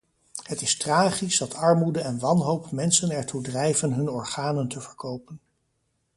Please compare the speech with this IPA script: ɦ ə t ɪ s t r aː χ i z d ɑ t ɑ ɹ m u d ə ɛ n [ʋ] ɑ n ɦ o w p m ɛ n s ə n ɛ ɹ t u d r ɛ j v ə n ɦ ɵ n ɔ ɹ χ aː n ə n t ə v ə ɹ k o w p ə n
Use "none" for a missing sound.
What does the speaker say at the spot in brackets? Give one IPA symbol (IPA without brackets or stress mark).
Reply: ʋ